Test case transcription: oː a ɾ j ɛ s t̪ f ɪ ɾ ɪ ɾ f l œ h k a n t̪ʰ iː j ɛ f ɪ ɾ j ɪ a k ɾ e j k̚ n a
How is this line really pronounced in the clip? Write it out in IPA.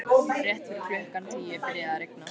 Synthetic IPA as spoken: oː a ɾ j ɛ h t̪ f ɪ ɾ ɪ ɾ f l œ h k a n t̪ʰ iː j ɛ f ɪ ɾ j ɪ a ɾ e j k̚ n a